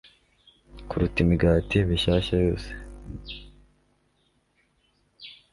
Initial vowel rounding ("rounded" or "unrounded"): rounded